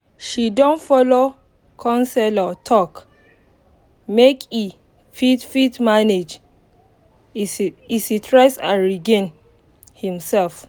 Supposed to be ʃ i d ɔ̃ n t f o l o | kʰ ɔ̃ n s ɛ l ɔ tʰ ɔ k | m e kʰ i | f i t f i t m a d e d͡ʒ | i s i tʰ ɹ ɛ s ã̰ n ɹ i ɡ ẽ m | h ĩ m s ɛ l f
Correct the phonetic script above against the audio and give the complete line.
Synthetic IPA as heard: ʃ i d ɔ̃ n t f ɔ l o | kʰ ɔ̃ n s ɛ l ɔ tʰ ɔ k | m e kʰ i | f i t f i t m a n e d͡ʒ | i s i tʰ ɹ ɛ s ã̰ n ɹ i ɡ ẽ n | h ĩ m s ɛ l f